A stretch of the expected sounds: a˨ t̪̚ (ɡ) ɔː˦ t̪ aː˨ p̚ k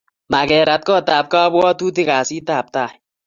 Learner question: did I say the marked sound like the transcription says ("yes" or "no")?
no